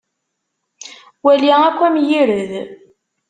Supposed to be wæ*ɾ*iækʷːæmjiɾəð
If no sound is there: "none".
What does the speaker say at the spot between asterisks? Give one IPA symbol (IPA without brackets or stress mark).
l